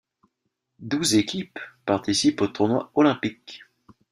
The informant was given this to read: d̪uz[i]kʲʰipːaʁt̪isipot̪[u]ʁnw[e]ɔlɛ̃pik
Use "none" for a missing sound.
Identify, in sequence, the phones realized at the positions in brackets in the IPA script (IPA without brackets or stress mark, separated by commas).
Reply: e, u, a